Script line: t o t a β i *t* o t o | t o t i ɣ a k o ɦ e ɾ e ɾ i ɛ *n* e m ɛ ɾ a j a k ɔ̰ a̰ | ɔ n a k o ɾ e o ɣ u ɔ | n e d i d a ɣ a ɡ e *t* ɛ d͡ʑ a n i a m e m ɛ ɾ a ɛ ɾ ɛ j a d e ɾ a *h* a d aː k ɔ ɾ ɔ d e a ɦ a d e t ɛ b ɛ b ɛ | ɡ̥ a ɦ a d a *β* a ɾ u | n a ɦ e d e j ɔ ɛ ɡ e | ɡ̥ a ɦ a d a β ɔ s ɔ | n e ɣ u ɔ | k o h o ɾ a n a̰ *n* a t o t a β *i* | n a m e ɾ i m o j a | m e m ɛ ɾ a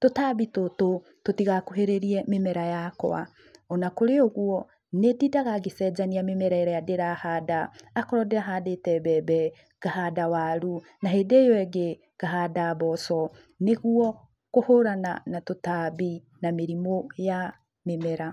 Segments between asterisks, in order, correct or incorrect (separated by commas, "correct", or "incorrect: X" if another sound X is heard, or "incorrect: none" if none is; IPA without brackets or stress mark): correct, incorrect: m, incorrect: s, correct, incorrect: w, correct, correct